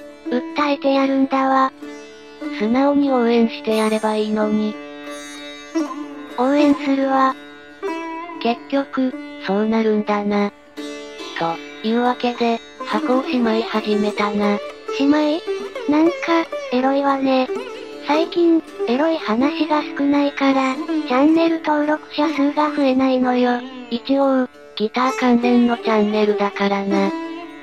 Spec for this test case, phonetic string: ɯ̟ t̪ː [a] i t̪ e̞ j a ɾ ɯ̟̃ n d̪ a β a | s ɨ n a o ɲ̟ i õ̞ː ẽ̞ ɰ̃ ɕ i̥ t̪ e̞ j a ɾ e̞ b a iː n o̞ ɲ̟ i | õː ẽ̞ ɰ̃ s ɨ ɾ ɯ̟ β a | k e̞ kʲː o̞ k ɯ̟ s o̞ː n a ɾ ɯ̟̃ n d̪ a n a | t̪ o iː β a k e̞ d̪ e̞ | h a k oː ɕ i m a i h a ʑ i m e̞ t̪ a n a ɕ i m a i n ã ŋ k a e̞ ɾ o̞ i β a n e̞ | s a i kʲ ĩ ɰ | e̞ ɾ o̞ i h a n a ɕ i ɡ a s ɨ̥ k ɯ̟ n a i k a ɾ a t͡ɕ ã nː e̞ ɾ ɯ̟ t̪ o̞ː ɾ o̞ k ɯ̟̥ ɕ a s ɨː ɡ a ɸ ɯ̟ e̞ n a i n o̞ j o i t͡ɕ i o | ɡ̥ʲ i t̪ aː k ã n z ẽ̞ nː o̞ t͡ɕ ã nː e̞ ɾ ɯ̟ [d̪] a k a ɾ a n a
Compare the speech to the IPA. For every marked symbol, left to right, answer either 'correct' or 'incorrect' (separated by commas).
correct, correct